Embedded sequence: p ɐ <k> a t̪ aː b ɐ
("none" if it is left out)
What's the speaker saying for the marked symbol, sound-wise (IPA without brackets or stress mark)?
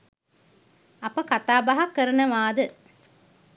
k